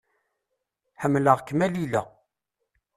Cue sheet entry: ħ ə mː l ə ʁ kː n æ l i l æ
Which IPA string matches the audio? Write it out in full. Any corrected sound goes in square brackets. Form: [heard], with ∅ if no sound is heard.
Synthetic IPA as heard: ħ ə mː l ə ʁ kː [m] æ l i l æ